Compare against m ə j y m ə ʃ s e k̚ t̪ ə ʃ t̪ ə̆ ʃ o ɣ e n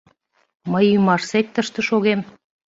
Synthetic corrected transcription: m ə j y m ɑ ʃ s e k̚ t̪ ə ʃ t̪ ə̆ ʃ o ɣ e m